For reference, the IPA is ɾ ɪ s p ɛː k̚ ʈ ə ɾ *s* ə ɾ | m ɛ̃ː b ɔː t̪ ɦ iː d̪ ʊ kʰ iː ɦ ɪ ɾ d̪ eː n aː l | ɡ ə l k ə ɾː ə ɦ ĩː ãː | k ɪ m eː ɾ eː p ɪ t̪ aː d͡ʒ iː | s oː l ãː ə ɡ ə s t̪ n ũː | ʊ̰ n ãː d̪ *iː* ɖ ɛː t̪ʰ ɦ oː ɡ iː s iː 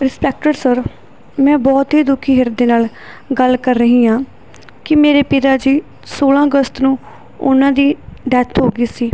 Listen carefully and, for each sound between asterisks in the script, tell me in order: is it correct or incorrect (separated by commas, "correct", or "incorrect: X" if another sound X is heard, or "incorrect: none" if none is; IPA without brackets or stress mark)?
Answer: correct, correct